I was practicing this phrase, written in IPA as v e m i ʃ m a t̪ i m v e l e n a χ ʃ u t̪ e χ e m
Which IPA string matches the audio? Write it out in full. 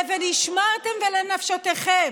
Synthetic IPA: v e n i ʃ m a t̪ e m v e l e n a f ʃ o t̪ e χ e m